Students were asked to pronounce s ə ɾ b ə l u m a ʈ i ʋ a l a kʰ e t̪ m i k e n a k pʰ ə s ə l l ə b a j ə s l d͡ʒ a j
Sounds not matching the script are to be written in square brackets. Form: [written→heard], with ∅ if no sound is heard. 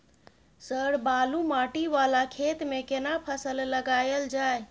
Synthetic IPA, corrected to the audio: s ə ɾ b [ə→a] l u m a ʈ i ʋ a l a kʰ e t̪ m [i→e] k e n a [k→∅] pʰ ə s ə l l ə [b→ɡ] a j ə [s→∅] l d͡ʒ a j